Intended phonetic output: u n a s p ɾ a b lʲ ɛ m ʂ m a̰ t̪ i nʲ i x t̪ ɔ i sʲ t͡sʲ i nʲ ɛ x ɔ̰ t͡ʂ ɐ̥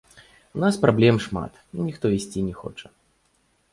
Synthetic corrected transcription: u n a s p ɾ a b lʲ ɛ m ʂ m a̰ t̪ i nʲ i x t̪ ɔ i sʲ t͡sʲ i nʲ ɛ x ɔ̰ t͡ʂ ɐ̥